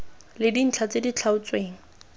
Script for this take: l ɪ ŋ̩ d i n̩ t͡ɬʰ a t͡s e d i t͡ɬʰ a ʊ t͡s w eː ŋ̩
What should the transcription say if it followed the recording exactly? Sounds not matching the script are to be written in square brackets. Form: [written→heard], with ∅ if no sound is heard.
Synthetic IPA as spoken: l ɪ [ŋ̩→∅] d i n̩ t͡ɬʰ a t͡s e d i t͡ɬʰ a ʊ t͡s w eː ŋ̩